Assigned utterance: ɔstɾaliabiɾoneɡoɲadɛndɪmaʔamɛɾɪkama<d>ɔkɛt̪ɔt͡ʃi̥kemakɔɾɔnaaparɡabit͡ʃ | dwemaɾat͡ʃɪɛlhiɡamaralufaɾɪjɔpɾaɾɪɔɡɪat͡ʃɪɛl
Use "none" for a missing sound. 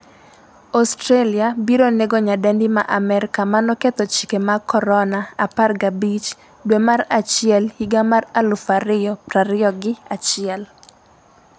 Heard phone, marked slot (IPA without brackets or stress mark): n